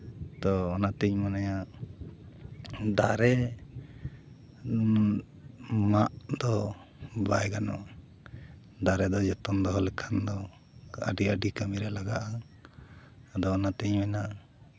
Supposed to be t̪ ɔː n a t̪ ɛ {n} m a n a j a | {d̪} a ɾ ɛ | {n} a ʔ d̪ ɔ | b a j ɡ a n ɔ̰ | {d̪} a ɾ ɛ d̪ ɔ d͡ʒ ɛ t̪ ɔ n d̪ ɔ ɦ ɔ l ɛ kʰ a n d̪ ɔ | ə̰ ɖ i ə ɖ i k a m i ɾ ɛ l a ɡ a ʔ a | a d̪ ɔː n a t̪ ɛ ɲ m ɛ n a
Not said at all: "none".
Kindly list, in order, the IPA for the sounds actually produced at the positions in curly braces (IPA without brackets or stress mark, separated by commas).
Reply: ɲ, d̪, m, d̪